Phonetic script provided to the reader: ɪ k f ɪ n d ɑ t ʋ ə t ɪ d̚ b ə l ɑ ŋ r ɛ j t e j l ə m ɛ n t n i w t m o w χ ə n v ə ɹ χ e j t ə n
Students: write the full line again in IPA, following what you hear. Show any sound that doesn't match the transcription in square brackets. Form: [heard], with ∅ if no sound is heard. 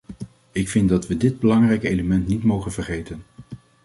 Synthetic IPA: ɪ k f ɪ n d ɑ t ʋ ə [d] ɪ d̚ b ə l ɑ ŋ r ɛ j [k] e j l ə m ɛ n t n i [∅] t m o w χ ə n v ə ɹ χ e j t ə n